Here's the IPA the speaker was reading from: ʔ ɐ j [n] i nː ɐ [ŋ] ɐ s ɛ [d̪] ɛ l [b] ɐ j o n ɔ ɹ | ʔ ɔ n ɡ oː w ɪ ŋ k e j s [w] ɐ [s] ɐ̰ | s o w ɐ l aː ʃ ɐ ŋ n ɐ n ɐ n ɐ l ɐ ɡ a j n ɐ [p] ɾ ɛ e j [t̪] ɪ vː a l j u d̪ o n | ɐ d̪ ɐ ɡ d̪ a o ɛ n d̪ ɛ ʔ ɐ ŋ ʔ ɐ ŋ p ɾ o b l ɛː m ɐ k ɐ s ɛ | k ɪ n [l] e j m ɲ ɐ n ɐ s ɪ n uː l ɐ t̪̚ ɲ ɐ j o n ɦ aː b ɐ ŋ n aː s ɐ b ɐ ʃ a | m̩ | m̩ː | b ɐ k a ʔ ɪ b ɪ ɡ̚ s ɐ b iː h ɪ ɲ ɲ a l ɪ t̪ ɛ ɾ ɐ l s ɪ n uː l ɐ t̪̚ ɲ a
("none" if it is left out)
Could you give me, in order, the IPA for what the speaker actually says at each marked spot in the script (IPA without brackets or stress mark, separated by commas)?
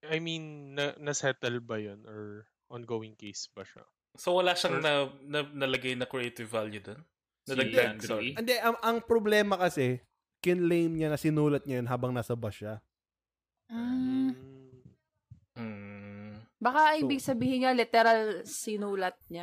m, n, t̪, b, b, ʃ, k, t̪, l